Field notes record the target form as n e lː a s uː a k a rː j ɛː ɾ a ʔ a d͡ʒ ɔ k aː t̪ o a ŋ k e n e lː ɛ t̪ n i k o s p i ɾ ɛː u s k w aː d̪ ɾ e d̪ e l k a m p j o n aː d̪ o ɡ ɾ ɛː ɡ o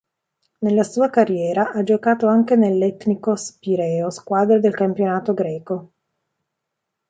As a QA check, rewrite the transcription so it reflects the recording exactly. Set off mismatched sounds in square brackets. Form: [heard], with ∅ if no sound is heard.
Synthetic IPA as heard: n e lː a s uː a k a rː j ɛː ɾ a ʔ a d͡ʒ [o] k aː t̪ o a ŋ k e n e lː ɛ t̪ n i k o s p i ɾ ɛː [o] s k w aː d̪ ɾ e d̪ e l k a m p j o n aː [t̪] o ɡ ɾ ɛː [k] o